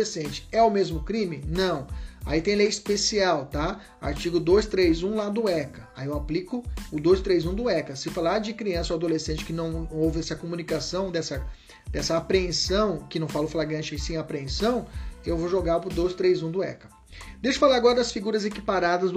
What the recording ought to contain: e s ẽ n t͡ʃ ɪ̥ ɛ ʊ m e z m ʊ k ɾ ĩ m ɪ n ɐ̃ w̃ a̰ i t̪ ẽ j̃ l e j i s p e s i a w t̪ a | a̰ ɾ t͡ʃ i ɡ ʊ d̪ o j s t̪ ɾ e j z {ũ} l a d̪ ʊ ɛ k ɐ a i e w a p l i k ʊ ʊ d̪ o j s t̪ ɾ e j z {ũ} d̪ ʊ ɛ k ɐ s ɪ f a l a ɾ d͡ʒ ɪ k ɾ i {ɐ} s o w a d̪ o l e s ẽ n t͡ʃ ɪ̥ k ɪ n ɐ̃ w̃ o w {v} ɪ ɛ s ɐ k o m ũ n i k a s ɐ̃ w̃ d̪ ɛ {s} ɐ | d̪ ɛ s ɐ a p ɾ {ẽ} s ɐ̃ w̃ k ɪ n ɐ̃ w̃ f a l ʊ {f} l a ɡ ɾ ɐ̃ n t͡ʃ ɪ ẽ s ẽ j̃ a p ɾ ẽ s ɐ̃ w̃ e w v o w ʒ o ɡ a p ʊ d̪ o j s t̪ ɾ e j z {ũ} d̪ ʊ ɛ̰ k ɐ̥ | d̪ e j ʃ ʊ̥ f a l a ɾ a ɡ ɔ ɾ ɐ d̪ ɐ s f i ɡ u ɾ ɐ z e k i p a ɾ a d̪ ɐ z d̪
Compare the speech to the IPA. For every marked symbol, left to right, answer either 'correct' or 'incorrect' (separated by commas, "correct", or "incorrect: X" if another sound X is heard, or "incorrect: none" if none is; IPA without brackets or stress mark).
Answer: correct, correct, incorrect: ɐ̃, correct, correct, correct, correct, correct